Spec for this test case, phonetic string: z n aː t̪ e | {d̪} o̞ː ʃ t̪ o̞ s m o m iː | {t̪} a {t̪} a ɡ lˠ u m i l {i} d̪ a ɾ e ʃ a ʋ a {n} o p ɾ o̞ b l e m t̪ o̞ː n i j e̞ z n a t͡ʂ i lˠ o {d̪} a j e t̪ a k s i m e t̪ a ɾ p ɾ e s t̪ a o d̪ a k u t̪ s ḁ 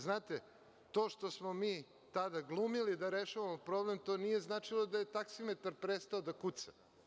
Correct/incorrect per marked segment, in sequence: incorrect, correct, incorrect, correct, incorrect, correct

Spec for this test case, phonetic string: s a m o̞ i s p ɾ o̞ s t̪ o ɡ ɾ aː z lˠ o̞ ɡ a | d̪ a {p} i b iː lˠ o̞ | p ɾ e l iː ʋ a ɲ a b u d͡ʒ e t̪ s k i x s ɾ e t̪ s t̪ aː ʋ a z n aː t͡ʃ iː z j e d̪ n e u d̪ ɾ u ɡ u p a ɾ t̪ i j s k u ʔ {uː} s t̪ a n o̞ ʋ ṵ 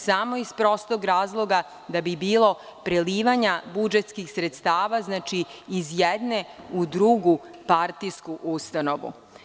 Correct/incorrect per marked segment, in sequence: incorrect, incorrect

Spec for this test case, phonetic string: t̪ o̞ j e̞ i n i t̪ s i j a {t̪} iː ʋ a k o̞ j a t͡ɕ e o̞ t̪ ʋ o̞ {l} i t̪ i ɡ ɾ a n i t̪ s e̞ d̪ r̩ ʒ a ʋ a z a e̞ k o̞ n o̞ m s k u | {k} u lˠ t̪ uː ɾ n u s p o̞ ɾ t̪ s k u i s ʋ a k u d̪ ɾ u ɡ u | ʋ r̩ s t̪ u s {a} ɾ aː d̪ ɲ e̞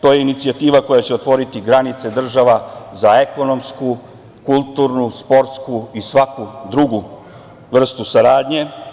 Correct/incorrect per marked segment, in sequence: correct, incorrect, correct, correct

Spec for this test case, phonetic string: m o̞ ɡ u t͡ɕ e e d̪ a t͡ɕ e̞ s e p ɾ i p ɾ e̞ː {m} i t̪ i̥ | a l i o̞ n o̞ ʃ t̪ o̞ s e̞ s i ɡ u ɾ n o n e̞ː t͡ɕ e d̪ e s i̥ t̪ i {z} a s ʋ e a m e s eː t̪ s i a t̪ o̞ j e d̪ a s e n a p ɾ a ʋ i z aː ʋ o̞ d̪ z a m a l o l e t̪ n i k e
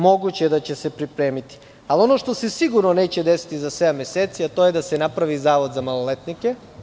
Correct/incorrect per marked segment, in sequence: correct, correct

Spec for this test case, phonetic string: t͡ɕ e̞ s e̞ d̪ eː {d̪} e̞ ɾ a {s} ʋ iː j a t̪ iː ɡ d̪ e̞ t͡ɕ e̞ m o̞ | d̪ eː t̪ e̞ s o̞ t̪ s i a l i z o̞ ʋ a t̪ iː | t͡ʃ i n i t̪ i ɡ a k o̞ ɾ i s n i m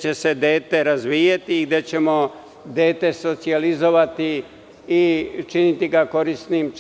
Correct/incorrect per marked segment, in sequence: incorrect, incorrect

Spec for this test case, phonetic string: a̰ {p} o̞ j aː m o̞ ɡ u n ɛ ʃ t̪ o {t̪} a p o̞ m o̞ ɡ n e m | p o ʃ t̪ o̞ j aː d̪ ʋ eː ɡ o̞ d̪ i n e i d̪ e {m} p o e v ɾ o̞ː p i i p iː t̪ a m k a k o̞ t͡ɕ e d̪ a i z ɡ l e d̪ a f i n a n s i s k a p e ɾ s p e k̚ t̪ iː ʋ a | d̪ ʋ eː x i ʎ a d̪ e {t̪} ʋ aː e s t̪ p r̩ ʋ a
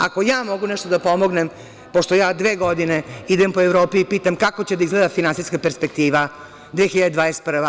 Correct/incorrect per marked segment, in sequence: incorrect, incorrect, correct, incorrect

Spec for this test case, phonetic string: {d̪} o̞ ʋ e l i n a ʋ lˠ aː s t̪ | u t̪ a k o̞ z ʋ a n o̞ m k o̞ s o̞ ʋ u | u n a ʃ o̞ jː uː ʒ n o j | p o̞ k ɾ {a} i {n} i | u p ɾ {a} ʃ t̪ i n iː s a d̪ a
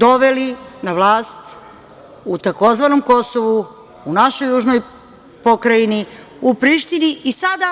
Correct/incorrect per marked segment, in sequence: correct, correct, correct, incorrect

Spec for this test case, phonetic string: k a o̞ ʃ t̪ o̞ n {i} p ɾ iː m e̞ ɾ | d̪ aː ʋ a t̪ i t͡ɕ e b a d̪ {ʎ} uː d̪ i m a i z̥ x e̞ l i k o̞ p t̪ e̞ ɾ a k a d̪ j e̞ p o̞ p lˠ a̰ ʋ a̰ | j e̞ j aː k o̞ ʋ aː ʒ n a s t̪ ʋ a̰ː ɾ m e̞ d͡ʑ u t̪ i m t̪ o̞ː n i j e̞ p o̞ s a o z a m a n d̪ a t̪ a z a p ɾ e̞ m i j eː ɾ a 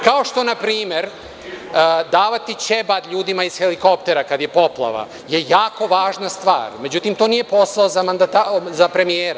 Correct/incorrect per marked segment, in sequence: incorrect, correct

